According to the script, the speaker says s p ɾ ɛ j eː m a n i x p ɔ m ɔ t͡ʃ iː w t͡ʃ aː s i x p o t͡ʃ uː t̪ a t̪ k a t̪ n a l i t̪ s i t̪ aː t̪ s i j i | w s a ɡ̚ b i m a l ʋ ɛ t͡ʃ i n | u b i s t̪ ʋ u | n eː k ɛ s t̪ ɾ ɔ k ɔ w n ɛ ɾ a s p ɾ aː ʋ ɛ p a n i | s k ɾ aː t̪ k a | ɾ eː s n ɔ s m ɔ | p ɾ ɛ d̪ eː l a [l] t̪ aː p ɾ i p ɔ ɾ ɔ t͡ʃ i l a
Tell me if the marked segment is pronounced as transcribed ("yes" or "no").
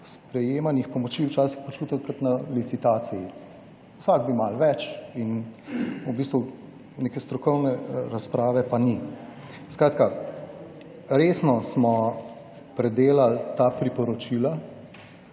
yes